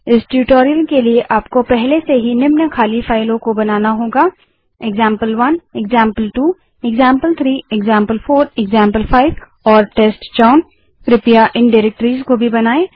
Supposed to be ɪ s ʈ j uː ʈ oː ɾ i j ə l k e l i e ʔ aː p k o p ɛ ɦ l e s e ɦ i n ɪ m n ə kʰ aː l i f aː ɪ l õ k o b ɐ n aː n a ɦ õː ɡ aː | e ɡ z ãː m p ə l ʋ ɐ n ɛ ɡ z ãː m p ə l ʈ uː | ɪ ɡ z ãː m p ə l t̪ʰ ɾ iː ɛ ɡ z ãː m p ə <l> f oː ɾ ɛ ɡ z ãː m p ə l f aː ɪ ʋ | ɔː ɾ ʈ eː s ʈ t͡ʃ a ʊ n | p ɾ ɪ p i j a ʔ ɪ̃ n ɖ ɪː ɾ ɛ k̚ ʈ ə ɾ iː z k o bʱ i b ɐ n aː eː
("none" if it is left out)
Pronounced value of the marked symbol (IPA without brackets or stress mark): l